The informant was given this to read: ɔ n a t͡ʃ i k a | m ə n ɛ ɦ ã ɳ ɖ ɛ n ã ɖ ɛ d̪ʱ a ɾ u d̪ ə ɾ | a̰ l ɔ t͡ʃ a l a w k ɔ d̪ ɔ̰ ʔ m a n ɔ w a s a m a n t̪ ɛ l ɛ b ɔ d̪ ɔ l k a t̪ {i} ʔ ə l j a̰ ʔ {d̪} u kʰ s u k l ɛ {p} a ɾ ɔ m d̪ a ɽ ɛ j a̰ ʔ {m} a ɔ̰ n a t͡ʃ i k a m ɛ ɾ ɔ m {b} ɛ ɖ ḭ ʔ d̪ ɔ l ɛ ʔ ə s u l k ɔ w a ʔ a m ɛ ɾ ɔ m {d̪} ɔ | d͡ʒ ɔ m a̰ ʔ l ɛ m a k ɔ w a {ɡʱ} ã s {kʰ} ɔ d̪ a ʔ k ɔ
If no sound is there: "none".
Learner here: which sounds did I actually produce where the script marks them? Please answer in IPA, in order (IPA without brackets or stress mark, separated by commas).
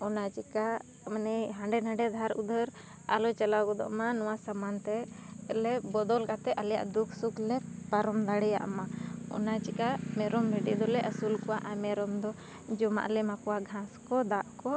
ɛ, d̪, p, m, b, d̪, ɡʱ, k